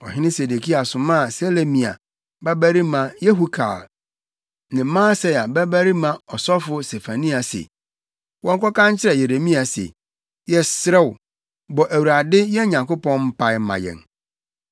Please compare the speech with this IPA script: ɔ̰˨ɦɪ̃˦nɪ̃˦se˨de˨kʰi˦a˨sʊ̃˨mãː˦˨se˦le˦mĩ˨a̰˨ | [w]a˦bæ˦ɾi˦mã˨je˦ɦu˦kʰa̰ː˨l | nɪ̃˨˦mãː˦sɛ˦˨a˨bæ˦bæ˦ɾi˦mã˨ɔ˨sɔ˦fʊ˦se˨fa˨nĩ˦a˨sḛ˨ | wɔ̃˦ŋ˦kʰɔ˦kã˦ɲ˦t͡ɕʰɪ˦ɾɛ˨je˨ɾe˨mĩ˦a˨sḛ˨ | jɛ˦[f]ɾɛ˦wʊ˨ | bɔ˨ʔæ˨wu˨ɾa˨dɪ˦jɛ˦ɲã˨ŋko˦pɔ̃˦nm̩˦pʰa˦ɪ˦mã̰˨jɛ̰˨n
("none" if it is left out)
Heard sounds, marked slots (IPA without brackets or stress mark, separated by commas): b, s